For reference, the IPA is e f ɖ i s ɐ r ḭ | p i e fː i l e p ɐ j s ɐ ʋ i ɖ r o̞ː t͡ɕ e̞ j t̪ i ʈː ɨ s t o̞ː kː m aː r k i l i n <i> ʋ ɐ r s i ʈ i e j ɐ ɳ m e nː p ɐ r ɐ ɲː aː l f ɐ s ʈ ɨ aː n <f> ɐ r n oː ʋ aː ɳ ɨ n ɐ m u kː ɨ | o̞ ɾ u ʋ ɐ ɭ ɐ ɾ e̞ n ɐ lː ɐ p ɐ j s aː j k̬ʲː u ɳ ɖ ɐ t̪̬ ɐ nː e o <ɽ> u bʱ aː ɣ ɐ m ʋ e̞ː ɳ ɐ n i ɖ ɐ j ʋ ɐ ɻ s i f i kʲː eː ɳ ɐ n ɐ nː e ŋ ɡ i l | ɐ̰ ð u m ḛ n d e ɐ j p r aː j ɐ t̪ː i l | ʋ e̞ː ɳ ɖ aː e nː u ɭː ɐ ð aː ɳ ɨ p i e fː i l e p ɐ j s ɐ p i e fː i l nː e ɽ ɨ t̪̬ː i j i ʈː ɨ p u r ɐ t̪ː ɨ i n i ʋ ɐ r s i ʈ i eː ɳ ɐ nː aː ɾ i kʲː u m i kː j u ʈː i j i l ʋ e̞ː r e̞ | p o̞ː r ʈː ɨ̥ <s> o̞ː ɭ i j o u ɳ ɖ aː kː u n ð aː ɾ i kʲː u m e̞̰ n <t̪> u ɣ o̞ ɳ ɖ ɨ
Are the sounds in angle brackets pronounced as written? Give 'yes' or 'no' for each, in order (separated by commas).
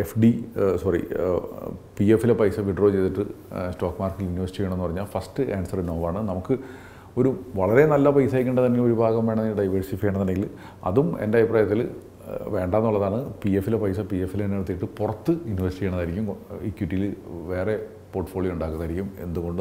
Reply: yes, no, no, no, no